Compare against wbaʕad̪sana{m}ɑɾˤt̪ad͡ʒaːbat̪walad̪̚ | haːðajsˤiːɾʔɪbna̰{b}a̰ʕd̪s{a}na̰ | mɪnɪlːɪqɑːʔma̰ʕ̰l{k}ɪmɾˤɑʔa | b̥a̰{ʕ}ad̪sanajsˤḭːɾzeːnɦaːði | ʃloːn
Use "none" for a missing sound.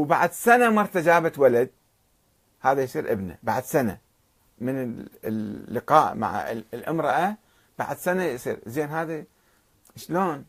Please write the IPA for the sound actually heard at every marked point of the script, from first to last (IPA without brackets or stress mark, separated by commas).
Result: m, b, a, ʔ, ʕ